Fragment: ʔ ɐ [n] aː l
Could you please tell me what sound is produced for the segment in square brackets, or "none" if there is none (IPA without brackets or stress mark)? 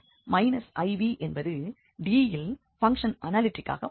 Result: n